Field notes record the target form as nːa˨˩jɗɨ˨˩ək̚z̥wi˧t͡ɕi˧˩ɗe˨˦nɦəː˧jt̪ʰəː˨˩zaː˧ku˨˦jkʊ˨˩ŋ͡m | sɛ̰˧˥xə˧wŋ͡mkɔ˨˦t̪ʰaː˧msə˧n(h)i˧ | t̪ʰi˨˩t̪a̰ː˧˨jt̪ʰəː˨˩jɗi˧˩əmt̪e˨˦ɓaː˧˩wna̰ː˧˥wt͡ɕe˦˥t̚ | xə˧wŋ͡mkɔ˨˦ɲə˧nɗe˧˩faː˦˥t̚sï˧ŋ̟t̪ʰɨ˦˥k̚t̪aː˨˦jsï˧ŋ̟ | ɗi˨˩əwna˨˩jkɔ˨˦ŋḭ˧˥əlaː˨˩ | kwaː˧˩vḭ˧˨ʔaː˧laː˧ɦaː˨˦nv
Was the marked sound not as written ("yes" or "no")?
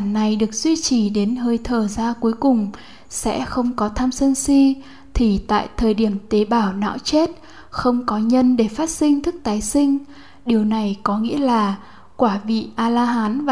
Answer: yes